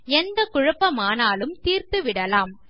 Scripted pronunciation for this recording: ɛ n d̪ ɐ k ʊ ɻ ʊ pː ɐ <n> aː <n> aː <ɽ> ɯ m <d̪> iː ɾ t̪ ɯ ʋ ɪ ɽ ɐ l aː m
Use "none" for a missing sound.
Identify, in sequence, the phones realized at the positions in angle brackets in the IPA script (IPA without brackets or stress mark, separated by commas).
m, n, l, t̪